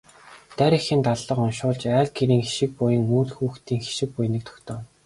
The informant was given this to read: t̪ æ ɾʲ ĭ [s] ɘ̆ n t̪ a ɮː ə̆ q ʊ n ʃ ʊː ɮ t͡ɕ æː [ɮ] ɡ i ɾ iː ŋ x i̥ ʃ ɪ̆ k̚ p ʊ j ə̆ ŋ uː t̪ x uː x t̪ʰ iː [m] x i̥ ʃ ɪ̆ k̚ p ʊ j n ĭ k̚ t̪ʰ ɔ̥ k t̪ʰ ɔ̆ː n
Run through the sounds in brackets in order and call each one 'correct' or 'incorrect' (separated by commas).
incorrect, correct, incorrect